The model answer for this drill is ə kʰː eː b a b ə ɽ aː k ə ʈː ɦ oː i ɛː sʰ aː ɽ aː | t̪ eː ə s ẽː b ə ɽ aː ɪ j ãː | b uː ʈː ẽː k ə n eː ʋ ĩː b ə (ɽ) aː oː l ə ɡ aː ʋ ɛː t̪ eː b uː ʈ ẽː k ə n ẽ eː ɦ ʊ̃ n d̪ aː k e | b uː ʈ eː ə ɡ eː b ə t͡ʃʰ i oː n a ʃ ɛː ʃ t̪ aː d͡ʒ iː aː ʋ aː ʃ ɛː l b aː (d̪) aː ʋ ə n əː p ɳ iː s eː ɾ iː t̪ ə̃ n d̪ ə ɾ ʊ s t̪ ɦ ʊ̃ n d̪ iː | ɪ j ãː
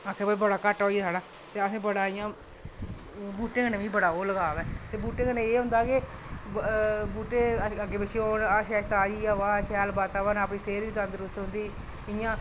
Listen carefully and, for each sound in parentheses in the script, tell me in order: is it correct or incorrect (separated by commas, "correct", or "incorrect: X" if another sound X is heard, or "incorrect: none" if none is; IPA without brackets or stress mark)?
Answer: correct, incorrect: t̪